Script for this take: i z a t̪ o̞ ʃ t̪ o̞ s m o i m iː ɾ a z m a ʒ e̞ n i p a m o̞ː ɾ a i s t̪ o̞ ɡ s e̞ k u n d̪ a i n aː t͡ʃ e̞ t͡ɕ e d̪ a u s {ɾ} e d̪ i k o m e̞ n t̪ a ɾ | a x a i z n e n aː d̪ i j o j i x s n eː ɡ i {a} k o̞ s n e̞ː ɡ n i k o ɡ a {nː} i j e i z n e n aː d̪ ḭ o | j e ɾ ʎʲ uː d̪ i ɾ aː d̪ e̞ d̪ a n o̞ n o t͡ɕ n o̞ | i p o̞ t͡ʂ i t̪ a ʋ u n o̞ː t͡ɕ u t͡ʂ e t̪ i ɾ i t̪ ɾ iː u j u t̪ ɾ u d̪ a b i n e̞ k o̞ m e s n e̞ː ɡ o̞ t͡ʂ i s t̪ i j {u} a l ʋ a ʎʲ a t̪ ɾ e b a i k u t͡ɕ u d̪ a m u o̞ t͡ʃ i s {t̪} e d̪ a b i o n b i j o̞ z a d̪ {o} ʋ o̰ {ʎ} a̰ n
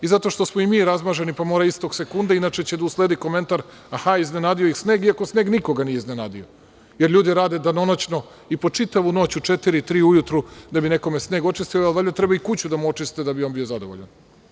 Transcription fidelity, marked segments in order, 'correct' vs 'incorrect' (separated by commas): incorrect, correct, incorrect, incorrect, correct, correct, correct